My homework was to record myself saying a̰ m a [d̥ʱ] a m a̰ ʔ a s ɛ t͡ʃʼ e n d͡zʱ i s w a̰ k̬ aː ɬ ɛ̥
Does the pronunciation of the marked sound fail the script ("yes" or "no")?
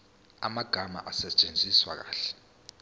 yes